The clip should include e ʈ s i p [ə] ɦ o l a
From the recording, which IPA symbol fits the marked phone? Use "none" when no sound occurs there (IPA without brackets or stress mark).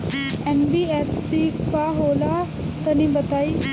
a